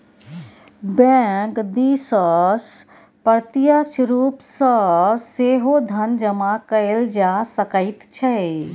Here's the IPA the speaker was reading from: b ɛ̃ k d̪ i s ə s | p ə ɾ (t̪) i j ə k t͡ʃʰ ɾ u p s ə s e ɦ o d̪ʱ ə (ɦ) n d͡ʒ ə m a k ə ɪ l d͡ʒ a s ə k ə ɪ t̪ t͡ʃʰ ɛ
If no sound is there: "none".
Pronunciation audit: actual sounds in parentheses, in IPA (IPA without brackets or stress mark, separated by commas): t̪, none